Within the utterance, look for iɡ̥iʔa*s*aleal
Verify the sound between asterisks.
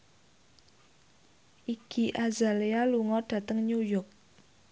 incorrect: z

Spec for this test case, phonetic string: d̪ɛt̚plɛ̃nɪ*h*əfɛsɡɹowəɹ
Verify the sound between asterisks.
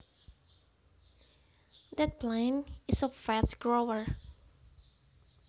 incorrect: s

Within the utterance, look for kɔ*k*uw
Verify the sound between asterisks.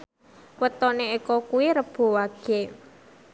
correct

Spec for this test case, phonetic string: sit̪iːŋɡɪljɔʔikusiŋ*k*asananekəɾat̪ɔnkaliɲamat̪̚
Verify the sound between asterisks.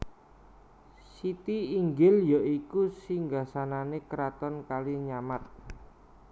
incorrect: ɡ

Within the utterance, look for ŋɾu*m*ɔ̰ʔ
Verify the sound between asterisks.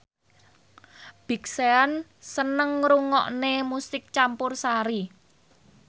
incorrect: ŋ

